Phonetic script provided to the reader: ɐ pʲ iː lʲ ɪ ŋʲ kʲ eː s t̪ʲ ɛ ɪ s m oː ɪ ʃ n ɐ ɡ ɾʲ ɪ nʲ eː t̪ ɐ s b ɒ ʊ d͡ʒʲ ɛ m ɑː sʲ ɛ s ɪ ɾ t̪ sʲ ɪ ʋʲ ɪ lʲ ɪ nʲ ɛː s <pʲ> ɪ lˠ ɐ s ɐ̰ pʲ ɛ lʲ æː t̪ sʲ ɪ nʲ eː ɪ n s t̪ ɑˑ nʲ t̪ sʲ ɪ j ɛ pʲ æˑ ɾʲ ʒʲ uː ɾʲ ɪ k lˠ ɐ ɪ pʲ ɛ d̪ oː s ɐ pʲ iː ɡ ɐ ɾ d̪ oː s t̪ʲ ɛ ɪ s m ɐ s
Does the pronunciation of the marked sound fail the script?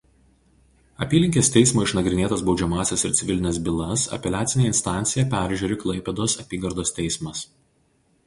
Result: yes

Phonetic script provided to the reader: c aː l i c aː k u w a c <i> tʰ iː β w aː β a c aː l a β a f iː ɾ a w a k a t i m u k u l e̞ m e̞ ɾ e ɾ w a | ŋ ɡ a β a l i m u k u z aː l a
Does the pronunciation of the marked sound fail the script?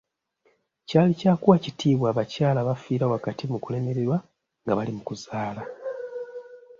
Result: no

